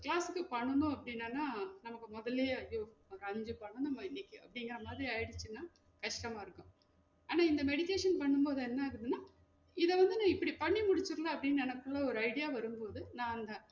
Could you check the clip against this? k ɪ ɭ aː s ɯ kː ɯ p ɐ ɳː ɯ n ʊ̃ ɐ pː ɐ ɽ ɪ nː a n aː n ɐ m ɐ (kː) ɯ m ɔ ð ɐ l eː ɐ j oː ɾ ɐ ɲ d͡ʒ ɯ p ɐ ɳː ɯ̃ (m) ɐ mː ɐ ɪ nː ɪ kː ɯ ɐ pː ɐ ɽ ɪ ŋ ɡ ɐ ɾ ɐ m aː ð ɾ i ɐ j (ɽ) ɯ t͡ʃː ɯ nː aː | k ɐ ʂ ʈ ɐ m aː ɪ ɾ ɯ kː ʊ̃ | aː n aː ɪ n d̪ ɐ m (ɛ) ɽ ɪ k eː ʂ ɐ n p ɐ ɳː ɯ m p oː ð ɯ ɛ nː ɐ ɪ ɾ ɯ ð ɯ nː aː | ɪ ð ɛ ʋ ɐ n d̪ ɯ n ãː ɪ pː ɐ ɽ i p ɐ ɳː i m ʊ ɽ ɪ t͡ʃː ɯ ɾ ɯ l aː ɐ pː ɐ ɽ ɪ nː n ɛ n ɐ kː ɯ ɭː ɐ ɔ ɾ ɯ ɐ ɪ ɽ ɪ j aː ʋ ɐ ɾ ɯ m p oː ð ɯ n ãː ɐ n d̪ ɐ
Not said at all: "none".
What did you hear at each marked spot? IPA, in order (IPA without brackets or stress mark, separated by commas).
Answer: kː, n, ɽ, ɛ